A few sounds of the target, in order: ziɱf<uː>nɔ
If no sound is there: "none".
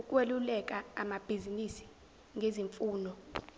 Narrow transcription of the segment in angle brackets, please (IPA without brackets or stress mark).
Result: uː